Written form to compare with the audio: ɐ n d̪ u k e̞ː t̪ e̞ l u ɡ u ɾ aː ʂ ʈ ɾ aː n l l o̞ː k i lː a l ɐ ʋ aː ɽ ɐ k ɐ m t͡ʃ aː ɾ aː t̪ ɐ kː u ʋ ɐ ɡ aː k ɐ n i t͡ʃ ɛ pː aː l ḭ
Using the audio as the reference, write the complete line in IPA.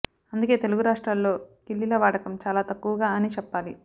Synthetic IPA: ɐ n d̪ u k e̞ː t̪ e̞ l u ɡ u ɾ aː ʂ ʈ ɾ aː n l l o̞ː k i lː i l ɐ ʋ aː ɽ ɐ k ɐ m t͡ʃ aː l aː t̪ ɐ kː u ʋ ɐ ɡ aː ɐ n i t͡ʃ ɛ pː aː l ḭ

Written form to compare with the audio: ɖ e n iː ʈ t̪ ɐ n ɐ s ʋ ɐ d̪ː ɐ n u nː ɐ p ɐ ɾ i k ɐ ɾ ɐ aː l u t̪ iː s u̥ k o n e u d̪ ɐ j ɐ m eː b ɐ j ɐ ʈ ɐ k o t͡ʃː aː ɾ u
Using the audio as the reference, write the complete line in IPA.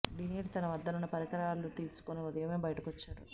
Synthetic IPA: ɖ i n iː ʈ t̪ ɐ n ɐ ʋ ɐ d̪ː ɐ n u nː ɐ p ɐ ɾ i k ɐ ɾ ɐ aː l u t̪ iː s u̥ k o n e u d̪ ɐ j ɐ m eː b ɐ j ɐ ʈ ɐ k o t͡ʃː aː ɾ u

